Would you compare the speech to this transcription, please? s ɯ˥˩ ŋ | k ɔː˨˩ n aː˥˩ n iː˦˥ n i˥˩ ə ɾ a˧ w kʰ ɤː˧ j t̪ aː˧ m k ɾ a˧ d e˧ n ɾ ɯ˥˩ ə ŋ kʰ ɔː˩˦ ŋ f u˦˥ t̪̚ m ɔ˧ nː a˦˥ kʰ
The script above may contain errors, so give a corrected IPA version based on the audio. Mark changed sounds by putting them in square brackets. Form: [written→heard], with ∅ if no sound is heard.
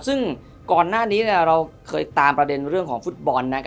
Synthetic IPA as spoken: s ɯ˥˩ ŋ | k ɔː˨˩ [n→nː] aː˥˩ n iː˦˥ n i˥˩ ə ɾ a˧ w kʰ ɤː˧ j t̪ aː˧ m [k→p] ɾ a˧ d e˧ n ɾ ɯ˥˩ ə ŋ kʰ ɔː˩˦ ŋ f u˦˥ t̪̚ [m→b] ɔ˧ nː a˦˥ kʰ